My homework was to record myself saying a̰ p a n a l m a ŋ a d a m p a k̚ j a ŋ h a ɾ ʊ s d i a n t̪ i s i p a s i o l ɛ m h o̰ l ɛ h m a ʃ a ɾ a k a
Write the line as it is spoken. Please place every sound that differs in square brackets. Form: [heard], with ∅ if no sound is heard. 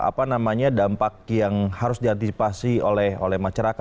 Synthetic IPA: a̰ p a n a [∅] m a [ɲ] a d a m p a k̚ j a ŋ h a ɾ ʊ s d i a n t̪ i s i p a s i o l ɛ [∅] h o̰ l ɛ h m a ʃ a ɾ a k a